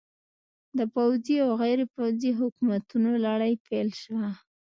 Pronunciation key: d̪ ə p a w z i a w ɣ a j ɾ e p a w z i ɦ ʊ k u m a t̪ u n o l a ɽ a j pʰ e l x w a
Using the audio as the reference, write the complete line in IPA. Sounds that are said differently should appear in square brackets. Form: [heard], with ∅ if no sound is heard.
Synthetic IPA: d̪ ə p a w z i a w ɣ a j ɾ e p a w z i ɦ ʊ k u m a t̪ u n o l a ɽ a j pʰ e l [ʃ] w a